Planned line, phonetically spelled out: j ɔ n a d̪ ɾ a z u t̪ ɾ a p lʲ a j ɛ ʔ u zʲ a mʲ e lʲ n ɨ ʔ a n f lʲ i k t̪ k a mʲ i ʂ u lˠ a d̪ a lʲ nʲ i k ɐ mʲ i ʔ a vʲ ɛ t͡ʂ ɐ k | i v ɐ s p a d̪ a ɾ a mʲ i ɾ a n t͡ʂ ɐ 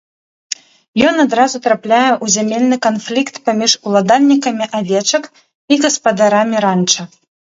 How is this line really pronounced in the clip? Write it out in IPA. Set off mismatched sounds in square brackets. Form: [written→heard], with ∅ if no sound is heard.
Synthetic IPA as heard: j ɔ n a d̪ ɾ a z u t̪ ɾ a p lʲ a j ɛ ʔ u zʲ a mʲ e lʲ n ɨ [ʔ→k] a n f lʲ i k t̪ [k→p] a mʲ i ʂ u lˠ a d̪ a lʲ nʲ i k ɐ mʲ i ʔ a vʲ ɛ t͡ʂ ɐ k | i [v→ɣ] ɐ s p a d̪ a ɾ a mʲ i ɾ a n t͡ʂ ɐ